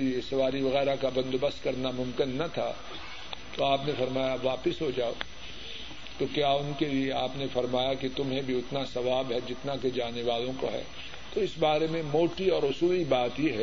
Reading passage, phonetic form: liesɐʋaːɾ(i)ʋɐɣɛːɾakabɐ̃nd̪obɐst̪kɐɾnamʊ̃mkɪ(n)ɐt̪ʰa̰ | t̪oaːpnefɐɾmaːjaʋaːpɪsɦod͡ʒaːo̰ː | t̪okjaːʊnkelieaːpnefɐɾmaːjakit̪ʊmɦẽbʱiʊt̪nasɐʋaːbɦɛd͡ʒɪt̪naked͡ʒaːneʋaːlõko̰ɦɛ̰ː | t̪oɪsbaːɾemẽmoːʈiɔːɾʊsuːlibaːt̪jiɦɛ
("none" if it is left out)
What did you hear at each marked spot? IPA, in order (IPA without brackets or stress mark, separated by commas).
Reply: i, nː